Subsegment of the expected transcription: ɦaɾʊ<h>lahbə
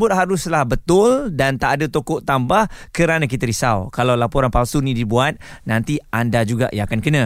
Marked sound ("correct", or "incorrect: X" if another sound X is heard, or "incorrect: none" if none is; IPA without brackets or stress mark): incorrect: s